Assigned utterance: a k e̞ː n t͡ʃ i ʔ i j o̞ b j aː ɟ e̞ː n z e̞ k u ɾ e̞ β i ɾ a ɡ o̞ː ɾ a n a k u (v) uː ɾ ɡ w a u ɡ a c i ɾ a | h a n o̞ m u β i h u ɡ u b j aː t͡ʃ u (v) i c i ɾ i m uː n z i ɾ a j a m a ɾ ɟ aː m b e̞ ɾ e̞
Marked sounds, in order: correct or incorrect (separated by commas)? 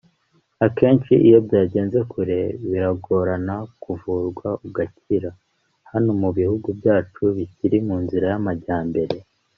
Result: correct, incorrect